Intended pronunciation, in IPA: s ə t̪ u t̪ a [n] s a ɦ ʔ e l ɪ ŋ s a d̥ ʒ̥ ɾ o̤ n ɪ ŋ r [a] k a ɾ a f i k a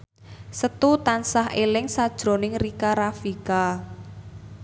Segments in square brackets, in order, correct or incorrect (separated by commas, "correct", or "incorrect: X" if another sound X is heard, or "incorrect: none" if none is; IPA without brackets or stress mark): correct, incorrect: i